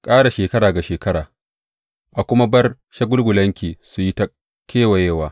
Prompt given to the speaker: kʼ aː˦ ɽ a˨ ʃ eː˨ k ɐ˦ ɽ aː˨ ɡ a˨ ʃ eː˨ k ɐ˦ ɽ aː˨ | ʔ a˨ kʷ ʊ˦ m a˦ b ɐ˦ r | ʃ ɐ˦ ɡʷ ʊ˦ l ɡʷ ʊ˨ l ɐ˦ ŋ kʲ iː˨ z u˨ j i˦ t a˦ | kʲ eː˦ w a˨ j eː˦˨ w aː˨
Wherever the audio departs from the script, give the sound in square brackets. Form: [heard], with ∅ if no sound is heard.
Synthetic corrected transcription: kʼ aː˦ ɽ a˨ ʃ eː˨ k ɐ˦ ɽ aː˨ ɡ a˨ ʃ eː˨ k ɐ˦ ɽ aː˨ | ʔ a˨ kʷ ʊ˦ m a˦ b ɐ˦ r | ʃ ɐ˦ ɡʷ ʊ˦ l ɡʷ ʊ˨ l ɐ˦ ŋ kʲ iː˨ [s] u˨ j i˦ t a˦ | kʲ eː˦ w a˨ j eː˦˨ w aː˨